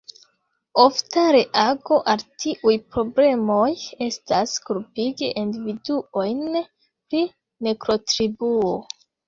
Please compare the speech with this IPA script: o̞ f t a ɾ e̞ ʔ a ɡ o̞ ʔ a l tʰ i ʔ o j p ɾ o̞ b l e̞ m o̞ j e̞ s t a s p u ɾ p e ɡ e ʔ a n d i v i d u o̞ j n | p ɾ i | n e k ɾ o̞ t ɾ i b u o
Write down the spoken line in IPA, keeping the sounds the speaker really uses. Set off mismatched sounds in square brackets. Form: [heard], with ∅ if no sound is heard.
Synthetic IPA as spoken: o̞ f t a ɾ e̞ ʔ a ɡ o̞ ʔ a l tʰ i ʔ [u] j p ɾ o̞ b l e̞ m o̞ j e̞ s t a s [k] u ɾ p [i] ɡ e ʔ [i] n d i v i d u o̞ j n | p ɾ i | n e k ɾ o̞ t ɾ i b u o